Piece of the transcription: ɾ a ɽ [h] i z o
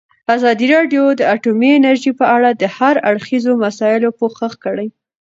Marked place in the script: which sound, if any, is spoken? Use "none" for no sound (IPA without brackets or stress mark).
x